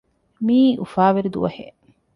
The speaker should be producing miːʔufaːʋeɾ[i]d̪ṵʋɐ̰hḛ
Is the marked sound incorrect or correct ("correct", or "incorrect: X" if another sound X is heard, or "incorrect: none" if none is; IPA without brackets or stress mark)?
correct